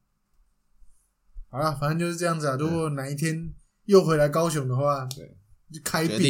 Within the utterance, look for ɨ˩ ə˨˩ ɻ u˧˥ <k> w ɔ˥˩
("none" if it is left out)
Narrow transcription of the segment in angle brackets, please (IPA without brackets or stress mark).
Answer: k